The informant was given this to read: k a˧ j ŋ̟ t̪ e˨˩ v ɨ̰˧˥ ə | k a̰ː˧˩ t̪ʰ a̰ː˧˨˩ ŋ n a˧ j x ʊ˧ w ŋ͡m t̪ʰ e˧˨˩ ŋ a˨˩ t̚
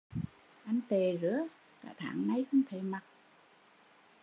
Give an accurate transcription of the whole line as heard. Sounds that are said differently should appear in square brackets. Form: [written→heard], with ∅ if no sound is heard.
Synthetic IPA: [k→ʔ] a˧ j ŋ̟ t̪ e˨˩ [v→z] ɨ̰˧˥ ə | k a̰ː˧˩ t̪ʰ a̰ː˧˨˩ ŋ n a˧ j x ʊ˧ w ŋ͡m t̪ʰ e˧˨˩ [ŋ→m] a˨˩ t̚

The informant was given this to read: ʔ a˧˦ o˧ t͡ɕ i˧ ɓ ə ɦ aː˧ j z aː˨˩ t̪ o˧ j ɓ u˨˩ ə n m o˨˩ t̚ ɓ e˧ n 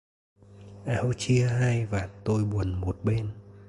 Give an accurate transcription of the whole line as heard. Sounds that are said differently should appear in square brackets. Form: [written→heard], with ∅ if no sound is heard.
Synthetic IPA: ʔ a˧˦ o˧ t͡ɕ i˧ [ɓ→∅] ə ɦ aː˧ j [z→v] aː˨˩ t̪ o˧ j ɓ u˨˩ ə n m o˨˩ t̚ ɓ e˧ n

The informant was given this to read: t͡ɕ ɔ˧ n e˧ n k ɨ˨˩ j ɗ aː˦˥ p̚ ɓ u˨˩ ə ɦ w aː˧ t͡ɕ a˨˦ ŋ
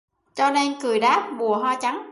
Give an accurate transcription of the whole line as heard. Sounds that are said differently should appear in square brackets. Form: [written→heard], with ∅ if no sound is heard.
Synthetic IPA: t͡ɕ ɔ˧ n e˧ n k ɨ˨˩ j ɗ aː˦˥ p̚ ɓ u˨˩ ə ɦ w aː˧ t͡ɕ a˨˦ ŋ

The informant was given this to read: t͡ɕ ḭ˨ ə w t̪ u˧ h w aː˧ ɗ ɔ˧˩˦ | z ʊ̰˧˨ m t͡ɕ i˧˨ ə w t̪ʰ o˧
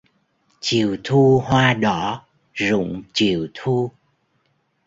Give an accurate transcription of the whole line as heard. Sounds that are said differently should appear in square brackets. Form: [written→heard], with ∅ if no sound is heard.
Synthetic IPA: t͡ɕ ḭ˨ ə w [t̪→t̪ʰ] u˧ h w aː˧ ɗ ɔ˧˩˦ | z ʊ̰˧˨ [m→ŋ͡m] t͡ɕ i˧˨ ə w t̪ʰ [o˧→u˧]

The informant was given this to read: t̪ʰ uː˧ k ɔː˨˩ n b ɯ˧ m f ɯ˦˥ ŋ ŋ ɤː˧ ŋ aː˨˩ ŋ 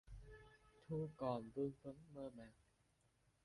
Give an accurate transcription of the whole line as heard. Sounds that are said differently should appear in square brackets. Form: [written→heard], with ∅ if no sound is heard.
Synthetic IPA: t̪ʰ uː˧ k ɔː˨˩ n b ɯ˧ [m→ŋ] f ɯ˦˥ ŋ [ŋ→m] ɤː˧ [ŋ→m] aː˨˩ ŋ

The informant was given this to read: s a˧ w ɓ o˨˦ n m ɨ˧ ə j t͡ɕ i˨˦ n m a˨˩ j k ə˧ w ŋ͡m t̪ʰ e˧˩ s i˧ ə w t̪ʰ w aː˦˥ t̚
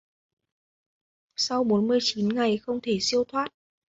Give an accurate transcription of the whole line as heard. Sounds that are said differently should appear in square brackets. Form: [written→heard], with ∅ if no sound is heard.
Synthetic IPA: s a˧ w ɓ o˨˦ n m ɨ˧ ə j t͡ɕ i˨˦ n [m→ŋ] a˨˩ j [k→x] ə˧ w ŋ͡m t̪ʰ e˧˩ s i˧ ə w t̪ʰ w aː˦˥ t̚

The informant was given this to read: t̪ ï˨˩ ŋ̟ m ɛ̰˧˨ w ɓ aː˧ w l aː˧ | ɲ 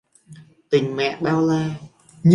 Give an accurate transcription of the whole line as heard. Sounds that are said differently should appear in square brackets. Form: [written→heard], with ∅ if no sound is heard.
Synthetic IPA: t̪ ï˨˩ ŋ̟ m ɛ̰˧˨ [w→∅] ɓ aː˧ w l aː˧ | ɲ

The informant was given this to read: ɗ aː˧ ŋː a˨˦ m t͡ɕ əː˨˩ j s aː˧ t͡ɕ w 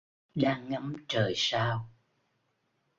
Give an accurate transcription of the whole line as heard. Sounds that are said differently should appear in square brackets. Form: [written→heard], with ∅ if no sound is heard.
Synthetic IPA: ɗ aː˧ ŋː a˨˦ m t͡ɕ əː˨˩ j s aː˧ [t͡ɕ→∅] w

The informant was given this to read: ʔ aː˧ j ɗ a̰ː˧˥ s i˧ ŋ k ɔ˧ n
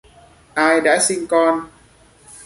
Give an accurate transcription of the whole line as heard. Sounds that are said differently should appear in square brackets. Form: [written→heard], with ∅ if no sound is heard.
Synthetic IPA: ʔ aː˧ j ɗ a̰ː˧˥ s i˧ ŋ k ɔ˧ n

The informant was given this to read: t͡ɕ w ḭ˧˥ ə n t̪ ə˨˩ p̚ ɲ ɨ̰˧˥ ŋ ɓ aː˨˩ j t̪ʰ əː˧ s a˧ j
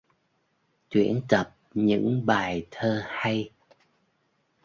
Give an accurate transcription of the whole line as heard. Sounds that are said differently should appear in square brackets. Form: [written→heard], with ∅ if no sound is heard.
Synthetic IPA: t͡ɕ w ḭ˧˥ ə n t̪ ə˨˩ p̚ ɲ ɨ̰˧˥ ŋ ɓ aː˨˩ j t̪ʰ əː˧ [s→h] a˧ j

